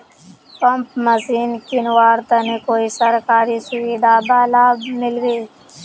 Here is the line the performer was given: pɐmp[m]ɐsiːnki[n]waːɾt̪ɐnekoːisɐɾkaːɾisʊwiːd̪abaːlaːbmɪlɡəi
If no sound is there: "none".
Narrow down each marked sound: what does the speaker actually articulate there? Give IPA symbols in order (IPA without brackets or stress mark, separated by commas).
m, n